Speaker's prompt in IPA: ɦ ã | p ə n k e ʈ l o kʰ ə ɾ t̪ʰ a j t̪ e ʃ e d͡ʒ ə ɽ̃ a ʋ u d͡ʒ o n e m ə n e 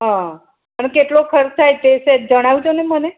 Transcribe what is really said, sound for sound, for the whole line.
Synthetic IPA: ɦ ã | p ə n k e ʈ l o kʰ ə ɾ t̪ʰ a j t̪ e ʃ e d͡ʒ ə ɽ̃ a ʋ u d͡ʒ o n e m ə n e